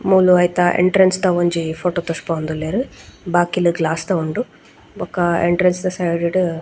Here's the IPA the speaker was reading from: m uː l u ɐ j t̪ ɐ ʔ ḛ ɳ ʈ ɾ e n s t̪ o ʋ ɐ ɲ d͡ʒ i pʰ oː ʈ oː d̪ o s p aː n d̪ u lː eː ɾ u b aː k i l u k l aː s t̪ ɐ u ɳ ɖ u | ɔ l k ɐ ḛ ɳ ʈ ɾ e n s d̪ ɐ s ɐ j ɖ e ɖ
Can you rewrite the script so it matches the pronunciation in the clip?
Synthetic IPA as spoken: m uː l u ɐ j t̪ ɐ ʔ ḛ ɳ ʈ ɾ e n s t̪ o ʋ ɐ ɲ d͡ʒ i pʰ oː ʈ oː t̪ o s p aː n d̪ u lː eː ɾ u b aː k i l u ɡ l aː s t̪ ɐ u ɳ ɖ u | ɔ k ɐ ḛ ɳ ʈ ɾ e n s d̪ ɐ s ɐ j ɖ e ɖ